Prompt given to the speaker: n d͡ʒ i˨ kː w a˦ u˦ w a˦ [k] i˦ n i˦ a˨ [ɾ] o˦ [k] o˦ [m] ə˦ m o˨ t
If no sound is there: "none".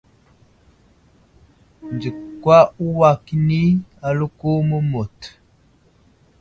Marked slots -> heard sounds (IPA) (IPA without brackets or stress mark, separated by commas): k, l, k, m